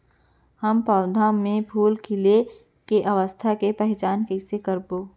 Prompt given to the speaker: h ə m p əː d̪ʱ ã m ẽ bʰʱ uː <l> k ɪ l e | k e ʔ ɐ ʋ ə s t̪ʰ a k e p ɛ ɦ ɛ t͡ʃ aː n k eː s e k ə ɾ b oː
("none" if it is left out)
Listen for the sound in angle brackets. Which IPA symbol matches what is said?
l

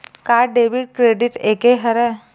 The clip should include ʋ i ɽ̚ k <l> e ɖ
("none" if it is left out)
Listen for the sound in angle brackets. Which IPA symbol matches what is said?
ɾ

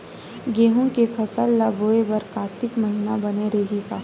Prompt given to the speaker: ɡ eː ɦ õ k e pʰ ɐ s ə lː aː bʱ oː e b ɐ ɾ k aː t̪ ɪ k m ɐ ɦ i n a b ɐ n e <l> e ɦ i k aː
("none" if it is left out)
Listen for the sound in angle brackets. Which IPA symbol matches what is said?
ɾ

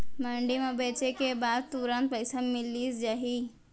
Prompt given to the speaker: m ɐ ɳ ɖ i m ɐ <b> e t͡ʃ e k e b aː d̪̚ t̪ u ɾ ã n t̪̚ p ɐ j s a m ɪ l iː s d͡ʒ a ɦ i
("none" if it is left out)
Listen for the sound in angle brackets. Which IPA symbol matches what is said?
b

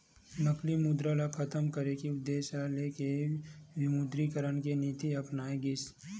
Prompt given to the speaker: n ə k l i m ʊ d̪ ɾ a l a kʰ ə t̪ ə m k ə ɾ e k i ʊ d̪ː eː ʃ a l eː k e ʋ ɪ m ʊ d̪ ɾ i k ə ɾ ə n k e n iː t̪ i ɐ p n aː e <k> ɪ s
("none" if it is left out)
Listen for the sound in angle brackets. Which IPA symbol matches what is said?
ɡ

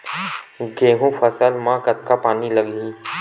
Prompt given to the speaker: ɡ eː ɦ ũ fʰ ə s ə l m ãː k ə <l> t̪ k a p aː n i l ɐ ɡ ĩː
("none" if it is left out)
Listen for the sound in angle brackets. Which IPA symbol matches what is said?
none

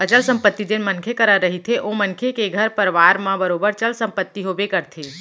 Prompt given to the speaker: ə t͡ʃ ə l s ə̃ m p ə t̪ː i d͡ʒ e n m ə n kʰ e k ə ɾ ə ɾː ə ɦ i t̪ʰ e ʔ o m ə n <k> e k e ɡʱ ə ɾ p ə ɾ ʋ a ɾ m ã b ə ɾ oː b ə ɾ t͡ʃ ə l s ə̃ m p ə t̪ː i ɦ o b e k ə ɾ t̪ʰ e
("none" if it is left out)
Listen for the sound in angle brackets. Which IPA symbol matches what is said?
kʰ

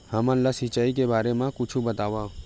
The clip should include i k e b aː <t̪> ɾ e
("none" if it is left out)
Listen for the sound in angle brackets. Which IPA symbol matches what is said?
none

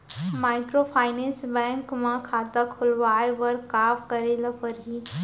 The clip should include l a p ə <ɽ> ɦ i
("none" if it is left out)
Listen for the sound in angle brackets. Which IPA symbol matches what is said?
ɾ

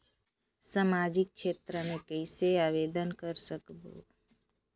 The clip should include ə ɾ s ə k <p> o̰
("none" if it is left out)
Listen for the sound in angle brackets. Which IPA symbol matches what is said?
b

